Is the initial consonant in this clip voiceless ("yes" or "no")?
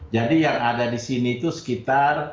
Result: no